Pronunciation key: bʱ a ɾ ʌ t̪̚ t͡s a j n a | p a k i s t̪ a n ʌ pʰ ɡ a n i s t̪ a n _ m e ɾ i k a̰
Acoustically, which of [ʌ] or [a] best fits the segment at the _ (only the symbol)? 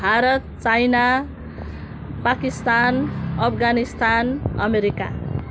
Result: ʌ